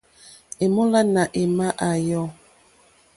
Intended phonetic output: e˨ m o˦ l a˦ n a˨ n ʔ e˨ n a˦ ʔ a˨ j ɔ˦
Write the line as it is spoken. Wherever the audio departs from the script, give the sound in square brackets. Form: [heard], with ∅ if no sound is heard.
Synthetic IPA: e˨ m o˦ l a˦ n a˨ [∅] ʔ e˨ [m] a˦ ʔ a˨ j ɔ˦